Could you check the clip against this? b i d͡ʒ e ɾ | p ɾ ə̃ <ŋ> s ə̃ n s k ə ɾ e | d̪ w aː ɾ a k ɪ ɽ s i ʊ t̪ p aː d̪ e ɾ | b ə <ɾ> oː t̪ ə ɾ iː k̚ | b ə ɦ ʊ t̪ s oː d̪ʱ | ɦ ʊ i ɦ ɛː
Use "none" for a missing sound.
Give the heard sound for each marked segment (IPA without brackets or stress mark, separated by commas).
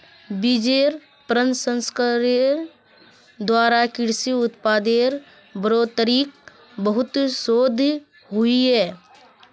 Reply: n, ɾ